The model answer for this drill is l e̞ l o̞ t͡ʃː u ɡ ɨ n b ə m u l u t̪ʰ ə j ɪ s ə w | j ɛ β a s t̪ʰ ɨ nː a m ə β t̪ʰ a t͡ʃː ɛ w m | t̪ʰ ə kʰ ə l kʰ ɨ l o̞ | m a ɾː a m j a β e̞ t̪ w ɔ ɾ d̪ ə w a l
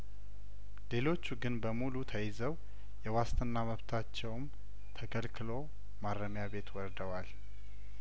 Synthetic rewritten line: l e̞ l o̞ t͡ʃː u ɡ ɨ n b ə m u l u t̪ʰ ə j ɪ z ə w | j ɛ w a s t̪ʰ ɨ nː a m ə β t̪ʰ a t͡ʃː ɛ w m | t̪ʰ ə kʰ ə l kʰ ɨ l o̞ | m a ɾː ə m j a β e̞ t̪ w ɔ ɾ d̪ ə w a l

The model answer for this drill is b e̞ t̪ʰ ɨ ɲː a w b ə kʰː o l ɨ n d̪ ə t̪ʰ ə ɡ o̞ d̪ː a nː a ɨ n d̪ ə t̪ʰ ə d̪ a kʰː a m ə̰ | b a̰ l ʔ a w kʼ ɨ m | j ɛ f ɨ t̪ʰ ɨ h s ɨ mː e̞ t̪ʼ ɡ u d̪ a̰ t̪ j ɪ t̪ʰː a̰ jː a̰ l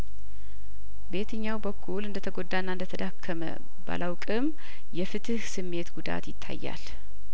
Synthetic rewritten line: b e̞ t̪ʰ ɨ ɲː a w b ə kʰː u l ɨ n d̪ ə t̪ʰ ə ɡ o̞ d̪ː a nː a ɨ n d̪ ə t̪ʰ ə d̪ a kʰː ə m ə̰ | b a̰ l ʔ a w kʼ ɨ m | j ɛ f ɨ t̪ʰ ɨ h s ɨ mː e̞ t̪ ɡ u d̪ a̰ t̪ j ɪ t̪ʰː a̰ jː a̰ l

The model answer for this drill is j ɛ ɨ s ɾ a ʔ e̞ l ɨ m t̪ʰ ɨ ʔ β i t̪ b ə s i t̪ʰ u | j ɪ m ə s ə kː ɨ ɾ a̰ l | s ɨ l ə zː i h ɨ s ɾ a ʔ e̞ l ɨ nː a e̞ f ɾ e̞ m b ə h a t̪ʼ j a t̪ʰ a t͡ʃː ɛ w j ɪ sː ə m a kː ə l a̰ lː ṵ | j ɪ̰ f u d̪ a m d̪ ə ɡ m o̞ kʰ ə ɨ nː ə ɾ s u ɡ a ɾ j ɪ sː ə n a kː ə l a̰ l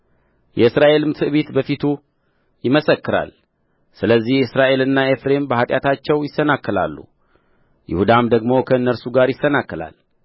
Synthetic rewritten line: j ɛ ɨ s ɾ a ʔ e̞ l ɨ m t̪ʰ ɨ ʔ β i t̪ b ə f i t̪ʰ u | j ɪ m ə s ə kː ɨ ɾ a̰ l | s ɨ l ə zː i h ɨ s ɾ a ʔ e̞ l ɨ nː a e̞ f ɾ e̞ m b ə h a t̪ʼ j a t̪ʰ a t͡ʃː ɛ w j ɪ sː ə n a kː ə l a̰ lː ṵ | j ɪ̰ h u d̪ a m d̪ ə ɡ m o̞ kʰ ə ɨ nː ə ɾ s u ɡ a ɾ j ɪ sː ə n a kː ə l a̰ l

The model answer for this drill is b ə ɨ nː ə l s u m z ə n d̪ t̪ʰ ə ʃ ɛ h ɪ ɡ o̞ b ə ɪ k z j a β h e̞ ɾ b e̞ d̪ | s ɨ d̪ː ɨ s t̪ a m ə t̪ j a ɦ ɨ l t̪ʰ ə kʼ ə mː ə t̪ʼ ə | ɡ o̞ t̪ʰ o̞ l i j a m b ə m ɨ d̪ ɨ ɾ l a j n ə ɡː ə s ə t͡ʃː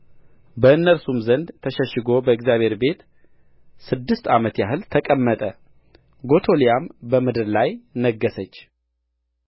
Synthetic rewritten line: b ə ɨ nː ə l s u m z ə n d̪ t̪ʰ ə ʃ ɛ ʃ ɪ ɡ o̞ b ə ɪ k z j a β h e̞ ɾ b e̞ t̪ | s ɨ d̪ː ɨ s t̪ a m ə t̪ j a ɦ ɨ l t̪ʰ ə kʼ ə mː ə t̪ʼ ə | ɡ o̞ t̪ʰ o̞ l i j a m b ə m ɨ d̪ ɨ ɾ l a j n ə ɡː ə s ə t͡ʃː

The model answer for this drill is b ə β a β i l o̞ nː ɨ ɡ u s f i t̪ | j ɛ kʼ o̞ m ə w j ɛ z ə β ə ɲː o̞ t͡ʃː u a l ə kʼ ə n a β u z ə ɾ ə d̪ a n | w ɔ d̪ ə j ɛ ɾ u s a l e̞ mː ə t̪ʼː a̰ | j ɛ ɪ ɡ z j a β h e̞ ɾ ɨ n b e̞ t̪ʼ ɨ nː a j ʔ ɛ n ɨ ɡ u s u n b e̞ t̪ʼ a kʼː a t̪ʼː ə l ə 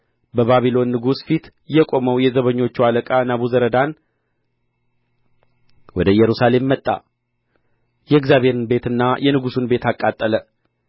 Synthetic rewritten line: b ə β a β i l o̞ nː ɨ ɡ u s f i t̪ | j ɛ kʼ o̞ m ə w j ɛ z ə β ə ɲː o̞ t͡ʃː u a l ə kʼ a n a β u z ə ɾ ə d̪ a n | w ɔ d̪ ə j ɛ ɾ u s a l e̞ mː ə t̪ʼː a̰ | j ɛ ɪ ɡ z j a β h e̞ ɾ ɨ n b e̞ t̪ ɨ nː a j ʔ ɛ n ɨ ɡ u s u n b e̞ t̪ a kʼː a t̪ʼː ə l ə

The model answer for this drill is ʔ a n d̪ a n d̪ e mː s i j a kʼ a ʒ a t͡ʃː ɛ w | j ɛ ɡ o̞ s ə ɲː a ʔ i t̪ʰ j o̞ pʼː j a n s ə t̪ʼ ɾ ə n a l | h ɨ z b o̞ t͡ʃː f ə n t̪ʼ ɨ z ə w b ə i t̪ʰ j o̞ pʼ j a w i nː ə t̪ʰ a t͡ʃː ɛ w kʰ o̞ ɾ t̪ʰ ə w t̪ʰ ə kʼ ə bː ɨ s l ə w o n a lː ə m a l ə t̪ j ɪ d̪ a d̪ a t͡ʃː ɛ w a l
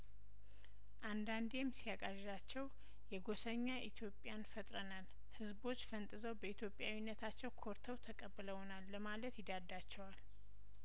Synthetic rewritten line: ʔ a n d̪ a n d̪ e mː s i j a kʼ a ʒ a t͡ʃː ɛ w | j ɛ ɡ o̞ s ə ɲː a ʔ i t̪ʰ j o̞ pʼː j a n f ə t̪ʼ ɾ ə n a l | h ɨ z b o̞ t͡ʃː f ə n t̪ʼ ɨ z ə w b ə i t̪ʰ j o̞ pʼ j a w i nː ə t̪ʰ a t͡ʃː ɛ w kʰ o̞ ɾ t̪ʰ ə w t̪ʰ ə kʼ ə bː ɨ l ə w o n a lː ə m a l ə t̪ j ɪ d̪ a d̪ a t͡ʃː ɛ w a l

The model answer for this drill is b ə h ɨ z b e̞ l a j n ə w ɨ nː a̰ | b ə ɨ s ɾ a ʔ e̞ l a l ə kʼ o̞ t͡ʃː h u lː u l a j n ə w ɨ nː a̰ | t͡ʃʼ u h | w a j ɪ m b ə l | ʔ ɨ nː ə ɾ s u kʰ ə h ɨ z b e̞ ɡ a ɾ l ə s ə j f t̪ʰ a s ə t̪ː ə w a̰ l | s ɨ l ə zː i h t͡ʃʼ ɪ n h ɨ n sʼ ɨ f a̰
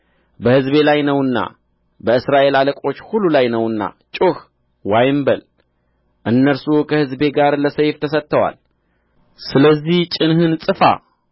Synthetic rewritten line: b ə h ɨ z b e̞ l a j n ə w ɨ nː a̰ | b ə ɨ s ɾ a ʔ e̞ l a l ə kʼ o̞ t͡ʃː h u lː u l a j n ə w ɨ nː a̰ | t͡ʃʼ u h | w a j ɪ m b ə l | ʔ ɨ nː ə ɾ s u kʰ ə h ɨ z b e̞ ɡ a ɾ l ə s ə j f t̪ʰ ə s ə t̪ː ə w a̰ l | s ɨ l ə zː i h t͡ʃʼ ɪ n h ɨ n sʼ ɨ f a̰

